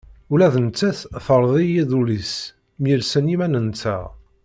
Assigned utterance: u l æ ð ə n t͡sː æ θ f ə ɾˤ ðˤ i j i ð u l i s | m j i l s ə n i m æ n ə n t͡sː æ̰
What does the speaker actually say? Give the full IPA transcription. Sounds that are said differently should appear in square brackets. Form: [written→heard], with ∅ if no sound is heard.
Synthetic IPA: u l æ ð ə n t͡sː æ θ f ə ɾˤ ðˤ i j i ð u l i s | m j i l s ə n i m æ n ə n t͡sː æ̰

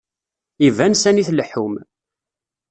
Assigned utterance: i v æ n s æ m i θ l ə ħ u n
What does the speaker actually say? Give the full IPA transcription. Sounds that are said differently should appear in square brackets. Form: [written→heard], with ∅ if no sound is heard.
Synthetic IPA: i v æ n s æ [m→n] i θ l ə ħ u [n→m]

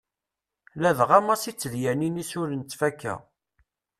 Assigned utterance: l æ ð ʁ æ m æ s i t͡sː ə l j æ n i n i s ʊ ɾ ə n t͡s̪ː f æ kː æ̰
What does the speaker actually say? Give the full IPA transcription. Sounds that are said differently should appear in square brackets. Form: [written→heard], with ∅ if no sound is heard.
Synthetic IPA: l æ ð ʁ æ m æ s i t͡sː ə l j æ n i n i s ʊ ɾ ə n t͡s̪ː f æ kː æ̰

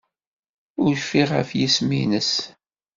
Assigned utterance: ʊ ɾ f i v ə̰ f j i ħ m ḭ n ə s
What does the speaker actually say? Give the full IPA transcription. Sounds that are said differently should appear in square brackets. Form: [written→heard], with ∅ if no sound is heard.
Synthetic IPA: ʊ ɾ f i [v→ʁ] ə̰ f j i [ħ→s] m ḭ n ə s

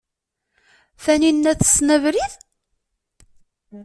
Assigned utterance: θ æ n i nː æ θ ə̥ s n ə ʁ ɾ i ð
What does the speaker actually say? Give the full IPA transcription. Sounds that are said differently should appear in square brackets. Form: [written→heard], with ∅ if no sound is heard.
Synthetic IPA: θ æ n i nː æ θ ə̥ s n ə [ʁ→v] ɾ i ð

